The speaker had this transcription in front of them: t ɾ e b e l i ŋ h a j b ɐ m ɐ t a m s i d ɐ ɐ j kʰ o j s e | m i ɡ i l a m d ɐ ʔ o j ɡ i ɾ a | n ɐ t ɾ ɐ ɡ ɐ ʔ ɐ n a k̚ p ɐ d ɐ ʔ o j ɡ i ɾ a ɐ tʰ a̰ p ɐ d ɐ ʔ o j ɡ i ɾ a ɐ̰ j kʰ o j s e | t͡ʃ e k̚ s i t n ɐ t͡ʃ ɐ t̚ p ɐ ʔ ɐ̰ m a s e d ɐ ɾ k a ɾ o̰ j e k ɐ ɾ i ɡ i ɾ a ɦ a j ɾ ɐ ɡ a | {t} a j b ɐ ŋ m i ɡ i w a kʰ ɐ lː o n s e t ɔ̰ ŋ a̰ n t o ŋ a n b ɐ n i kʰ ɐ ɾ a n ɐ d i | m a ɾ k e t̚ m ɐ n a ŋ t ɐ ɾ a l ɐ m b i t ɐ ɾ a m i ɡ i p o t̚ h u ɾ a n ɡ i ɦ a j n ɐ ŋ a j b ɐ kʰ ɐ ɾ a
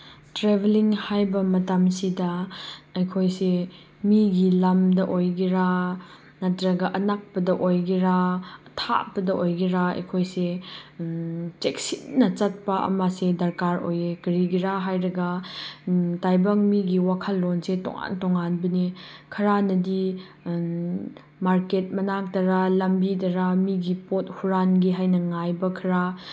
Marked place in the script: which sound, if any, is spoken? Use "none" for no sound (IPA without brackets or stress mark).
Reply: t